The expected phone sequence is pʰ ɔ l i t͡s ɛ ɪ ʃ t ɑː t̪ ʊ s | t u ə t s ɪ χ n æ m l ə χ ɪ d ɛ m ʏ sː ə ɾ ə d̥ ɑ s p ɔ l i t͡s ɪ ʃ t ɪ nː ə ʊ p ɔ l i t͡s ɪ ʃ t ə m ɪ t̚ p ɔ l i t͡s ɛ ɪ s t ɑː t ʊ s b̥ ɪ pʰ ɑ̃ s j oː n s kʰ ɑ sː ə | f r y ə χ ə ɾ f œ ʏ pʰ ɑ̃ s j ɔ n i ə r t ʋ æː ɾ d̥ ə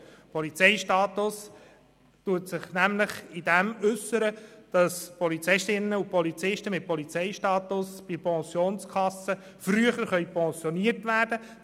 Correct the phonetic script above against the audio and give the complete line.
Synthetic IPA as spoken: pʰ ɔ l i t͡s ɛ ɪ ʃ t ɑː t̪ ʊ s | t u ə t s ɪ χ n æ m l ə χ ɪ d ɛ m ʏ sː ə ɾ ə d̥ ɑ s p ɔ l i t͡s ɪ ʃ t ɪ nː ə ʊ p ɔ l i t͡s ɪ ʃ t ə m ɪ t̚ p ɔ l i t͡s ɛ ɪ ʃ t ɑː t ʊ s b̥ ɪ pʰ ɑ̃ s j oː n s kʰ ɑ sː ə | f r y ə χ ə ɾ χ œ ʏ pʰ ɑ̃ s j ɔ n i ə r t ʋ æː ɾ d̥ ə